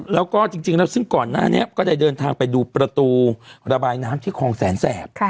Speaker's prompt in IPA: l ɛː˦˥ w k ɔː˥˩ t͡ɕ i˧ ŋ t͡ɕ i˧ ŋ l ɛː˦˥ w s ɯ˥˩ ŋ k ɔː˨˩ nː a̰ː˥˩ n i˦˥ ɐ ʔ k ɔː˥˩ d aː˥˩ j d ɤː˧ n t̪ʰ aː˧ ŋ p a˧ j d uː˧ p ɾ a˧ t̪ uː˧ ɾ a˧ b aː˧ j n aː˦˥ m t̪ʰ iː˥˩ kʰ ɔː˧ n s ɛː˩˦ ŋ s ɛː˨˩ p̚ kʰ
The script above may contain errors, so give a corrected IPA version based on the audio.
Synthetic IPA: l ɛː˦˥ w k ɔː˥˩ t͡ɕ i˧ ŋ t͡ɕ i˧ ŋ l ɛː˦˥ w s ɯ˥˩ ŋ k ɔː˨˩ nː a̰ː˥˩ n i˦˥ ɐ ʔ k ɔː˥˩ d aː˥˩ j d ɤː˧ n t̪ʰ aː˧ ŋ p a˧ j d uː˧ p ɾ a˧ t̪ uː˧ ɾ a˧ b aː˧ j n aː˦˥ m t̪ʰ iː˥˩ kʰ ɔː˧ ŋ s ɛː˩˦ n s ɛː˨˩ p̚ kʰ